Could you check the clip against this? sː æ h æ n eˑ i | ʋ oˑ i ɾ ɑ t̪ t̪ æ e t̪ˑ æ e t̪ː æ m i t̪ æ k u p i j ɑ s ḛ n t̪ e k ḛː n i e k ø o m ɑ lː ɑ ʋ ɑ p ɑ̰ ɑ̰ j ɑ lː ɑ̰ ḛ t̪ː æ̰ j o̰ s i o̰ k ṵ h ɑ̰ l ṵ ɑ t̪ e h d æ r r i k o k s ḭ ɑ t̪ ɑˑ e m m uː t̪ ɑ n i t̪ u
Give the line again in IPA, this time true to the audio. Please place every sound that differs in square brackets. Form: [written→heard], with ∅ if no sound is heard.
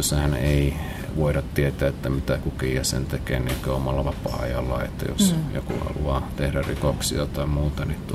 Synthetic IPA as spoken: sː æ h æ n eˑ i | ʋ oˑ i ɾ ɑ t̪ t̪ [æ→i] e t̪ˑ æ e t̪ː æ m i t̪ æ k u [p→k] i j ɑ s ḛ n t̪ e k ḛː n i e k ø o m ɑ lː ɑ ʋ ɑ p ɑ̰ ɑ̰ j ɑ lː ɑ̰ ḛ t̪ː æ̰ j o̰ s [i→j] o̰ k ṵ h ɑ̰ l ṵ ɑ t̪ e h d æ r r i k o k s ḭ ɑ t̪ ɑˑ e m m uː t̪ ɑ n i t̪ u